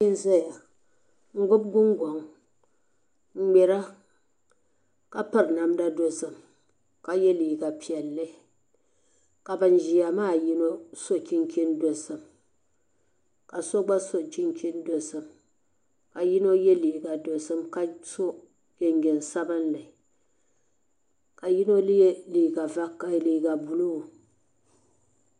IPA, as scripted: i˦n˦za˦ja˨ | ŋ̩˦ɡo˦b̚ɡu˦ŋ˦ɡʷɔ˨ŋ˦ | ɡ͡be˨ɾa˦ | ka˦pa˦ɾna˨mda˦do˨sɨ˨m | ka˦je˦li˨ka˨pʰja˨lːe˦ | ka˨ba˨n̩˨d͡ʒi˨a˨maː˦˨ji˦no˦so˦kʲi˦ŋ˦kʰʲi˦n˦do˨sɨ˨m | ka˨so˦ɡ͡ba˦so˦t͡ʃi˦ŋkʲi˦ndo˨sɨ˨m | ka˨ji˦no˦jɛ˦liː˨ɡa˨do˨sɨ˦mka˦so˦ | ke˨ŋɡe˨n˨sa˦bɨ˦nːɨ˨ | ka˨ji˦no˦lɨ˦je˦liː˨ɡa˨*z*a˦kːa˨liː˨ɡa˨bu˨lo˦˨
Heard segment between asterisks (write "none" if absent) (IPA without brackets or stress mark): v